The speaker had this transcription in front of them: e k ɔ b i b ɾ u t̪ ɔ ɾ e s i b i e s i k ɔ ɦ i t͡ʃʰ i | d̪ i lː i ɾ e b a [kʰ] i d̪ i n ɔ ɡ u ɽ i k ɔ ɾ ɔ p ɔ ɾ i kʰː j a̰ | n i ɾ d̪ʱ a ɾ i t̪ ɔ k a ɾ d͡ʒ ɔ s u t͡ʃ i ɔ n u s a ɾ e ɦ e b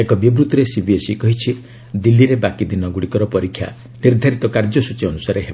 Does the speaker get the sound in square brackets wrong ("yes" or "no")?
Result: yes